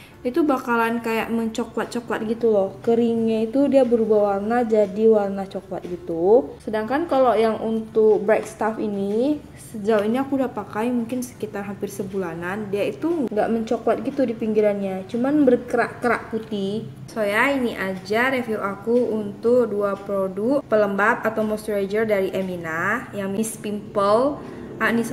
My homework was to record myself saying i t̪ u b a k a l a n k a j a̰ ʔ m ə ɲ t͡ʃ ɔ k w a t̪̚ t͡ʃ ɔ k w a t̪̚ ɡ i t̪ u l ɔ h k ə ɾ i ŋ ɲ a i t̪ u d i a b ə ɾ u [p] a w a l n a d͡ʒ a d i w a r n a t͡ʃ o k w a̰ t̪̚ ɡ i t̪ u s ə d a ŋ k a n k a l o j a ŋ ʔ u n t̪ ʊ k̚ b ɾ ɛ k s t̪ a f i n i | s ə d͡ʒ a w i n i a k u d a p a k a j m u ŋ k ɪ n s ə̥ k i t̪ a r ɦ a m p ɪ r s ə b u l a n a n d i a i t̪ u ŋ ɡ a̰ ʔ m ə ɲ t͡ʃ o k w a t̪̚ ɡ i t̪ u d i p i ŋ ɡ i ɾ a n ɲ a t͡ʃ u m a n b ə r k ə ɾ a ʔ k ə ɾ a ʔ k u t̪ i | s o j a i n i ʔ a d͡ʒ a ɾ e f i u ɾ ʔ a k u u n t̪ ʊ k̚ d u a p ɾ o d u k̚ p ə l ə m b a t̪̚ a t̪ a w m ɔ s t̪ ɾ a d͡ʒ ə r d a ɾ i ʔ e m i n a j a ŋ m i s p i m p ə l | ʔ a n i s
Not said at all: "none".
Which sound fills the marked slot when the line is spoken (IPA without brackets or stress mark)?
b